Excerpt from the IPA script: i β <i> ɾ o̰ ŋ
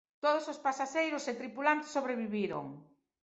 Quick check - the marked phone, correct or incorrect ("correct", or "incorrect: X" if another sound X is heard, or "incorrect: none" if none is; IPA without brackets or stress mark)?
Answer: correct